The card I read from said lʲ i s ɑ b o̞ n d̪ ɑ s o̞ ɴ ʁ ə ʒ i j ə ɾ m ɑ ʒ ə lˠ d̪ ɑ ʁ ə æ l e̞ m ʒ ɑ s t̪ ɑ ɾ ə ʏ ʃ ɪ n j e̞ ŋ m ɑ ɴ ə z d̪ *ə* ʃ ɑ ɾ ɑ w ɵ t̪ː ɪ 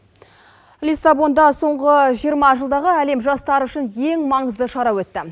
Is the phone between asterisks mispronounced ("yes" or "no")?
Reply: no